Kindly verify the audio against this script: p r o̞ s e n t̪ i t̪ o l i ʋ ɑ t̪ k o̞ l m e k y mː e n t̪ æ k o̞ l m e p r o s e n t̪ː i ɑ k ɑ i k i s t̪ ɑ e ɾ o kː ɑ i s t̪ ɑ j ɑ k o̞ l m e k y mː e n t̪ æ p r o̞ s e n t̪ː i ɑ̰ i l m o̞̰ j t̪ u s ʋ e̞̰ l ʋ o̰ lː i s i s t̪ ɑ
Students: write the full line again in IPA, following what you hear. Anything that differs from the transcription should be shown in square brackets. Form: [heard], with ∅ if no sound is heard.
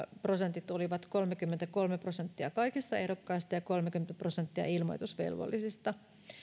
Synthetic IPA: p r o̞ s e n t̪ i t̪ o l i ʋ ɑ t̪ k o̞ l m e k y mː e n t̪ æ k o̞ l m e p r o s e n t̪ː i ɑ k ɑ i k i s t̪ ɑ e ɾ o kː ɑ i s t̪ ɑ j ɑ k o̞ l m e k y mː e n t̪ æ p r o̞ s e n t̪ː i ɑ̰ i l m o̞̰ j t̪ u s ʋ e̞̰ l ʋ o̰ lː i s i s t̪ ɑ